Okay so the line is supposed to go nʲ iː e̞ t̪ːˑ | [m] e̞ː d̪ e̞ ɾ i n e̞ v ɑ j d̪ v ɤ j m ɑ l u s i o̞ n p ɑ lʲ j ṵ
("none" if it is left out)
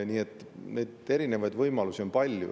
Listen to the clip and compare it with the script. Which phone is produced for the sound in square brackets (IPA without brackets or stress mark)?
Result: n